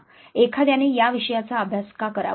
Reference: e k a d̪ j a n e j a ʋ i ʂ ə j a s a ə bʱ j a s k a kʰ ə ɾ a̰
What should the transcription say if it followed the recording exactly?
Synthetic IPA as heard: e kʰ a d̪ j a n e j a ʋ i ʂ ə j a t͡s a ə bʱ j a s k a k ə ɾ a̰

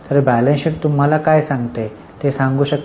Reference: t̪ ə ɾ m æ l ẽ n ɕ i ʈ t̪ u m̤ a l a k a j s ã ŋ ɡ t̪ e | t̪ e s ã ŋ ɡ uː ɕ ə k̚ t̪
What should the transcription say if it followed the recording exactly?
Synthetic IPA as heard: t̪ ə ɾ b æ l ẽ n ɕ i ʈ t̪ u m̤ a l a k a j s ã ŋ ɡ t̪ e | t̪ e s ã ŋ ɡ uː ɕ ə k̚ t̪

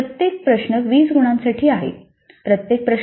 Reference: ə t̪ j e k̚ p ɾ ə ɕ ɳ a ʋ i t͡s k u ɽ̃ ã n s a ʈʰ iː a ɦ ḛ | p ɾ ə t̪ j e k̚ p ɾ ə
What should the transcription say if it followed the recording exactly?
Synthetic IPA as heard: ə t̪ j e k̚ p ɾ ə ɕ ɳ ə ʋ iː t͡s ɡ u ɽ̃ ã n s a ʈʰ iː a ɦ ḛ | p ɾ ə t̪ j e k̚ p ɾ ə

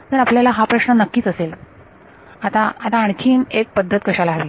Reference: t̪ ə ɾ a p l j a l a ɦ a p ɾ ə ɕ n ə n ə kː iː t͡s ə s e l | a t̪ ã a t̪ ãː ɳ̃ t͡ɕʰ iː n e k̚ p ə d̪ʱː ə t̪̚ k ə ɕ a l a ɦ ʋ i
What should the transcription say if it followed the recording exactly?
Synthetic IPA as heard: t̪ ə ɾ a p l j a l a ɦ a p ɾ ə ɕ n ə n ə kː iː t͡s ə s e l | a t̪ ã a t̪ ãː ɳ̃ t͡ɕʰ iː n e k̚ p ə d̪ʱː ə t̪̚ k ə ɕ a l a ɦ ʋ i

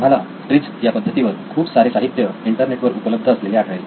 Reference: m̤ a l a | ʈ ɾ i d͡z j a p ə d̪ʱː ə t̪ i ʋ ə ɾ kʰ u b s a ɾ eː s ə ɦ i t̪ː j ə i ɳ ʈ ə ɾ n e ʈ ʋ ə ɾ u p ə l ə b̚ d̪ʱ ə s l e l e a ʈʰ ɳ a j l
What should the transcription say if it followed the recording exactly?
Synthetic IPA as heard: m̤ a l a | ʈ ɾ i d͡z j a p ə d̪ʱː ə t̪ i ʋ ə ɾ kʰ uː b s a ɾ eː s a ɦ i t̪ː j ə i ɳ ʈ ə ɾ n e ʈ ʋ ə ɾ u p ə l ə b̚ d̪ʱ ə s l e l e a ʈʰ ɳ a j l

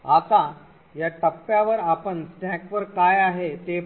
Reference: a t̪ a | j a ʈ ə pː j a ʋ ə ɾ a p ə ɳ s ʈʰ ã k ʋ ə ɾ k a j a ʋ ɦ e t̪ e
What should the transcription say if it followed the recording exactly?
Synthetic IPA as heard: a t̪ a | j a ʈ ə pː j a ʋ ə ɾ a p ə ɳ s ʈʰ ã k ʋ ə ɾ k a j a ɦ e t̪ e

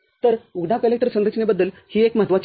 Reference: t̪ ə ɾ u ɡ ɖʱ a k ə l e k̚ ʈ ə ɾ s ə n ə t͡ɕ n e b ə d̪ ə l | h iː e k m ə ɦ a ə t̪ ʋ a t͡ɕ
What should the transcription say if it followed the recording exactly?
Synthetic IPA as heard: t̪ ə ɾ u ɡ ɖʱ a k ə l e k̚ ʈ ə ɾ s ə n ə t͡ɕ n e b ə d̪ː ə l | h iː e k m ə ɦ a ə t̪ ʋ a t͡ɕ

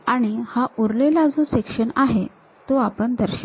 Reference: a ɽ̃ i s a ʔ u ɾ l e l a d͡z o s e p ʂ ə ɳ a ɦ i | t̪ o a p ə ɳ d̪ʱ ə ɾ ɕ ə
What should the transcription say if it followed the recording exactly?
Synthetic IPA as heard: a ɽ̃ i h a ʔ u ɾ l e l a d͡z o s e k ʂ ə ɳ a ɦ e | t̪ o a p ə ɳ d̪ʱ ə ɾ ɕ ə

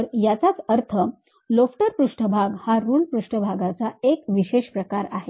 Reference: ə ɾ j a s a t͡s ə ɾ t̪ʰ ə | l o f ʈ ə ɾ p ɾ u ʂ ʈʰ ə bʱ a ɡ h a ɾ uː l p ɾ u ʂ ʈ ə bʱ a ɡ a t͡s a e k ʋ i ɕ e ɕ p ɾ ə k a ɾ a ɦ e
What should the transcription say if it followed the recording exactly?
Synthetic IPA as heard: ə ɾ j a t͡s a t͡s ə ɾ t̪ʰ ə | l o f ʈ ə ɾ p ɾ u ʂ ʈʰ ə bʱ a ɡ h a ɾ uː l p ɾ u ʂ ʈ ə bʱ a ɡ a t͡s a e k ʋ i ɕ e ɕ p ɾ ə k a ɾ a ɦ e

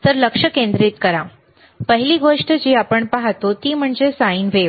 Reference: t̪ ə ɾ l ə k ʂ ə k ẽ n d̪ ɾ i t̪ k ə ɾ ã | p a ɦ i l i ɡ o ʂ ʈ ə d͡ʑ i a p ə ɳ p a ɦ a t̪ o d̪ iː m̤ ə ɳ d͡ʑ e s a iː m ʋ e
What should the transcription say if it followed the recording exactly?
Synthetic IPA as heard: t̪ ə ɾ l ə k ʂ ə k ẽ n d̪ ɾ i t̪ k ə ɾ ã | p ə ɦ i l i ɡ o ʂ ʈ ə d͡ʑ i a p ə ɳ p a ɦ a t̪ o t̪ iː m̤ ə ɳ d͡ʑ e s a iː n ʋ e

